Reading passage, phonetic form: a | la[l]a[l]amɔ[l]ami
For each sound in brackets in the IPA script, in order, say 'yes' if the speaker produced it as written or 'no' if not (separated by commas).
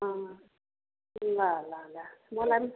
yes, yes, yes